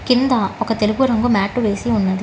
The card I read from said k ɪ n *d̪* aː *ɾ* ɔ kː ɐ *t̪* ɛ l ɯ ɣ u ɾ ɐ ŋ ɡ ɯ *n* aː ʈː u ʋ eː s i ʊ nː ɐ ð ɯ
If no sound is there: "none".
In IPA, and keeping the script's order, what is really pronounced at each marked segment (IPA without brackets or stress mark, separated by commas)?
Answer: d̪, none, t̪, m